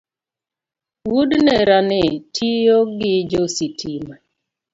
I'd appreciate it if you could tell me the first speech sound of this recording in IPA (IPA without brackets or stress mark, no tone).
w